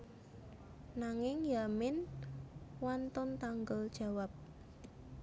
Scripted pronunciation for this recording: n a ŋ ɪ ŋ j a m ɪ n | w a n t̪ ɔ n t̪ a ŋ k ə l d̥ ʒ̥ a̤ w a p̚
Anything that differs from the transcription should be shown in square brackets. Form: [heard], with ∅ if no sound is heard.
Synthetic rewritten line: n a ŋ ɪ ŋ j a m ɪ n | w a n t̪ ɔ n t̪ a ŋ [ɡ] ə l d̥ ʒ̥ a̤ w a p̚